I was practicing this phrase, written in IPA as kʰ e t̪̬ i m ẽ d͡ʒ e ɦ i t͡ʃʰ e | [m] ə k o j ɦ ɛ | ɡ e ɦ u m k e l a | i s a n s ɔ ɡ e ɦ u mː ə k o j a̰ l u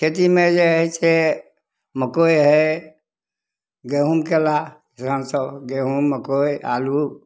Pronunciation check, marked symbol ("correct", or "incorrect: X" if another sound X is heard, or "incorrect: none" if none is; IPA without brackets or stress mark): correct